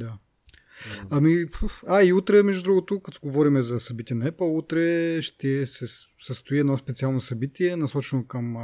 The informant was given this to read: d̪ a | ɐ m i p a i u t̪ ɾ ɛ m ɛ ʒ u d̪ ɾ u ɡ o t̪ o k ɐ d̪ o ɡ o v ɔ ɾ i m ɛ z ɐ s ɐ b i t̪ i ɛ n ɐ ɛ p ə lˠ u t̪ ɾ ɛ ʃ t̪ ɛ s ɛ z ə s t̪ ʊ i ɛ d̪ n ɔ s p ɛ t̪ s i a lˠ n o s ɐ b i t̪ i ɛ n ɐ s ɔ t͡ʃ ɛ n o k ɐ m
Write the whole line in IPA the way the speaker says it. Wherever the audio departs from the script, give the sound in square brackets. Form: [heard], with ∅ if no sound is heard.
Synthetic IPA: d̪ a | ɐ m i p a i u t̪ ɾ ɛ m ɛ ʒ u d̪ ɾ u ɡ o t̪ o k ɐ [t̪] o ɡ o v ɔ ɾ i m ɛ z ɐ s ɐ b i t̪ i ɛ n ɐ ɛ p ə lˠ u t̪ ɾ ɛ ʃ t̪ ɛ s ɛ [s] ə s t̪ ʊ i ɛ d̪ n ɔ s p ɛ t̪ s i a lˠ n o s ɐ b i t̪ i ɛ n ɐ s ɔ t͡ʃ ɛ n o k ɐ m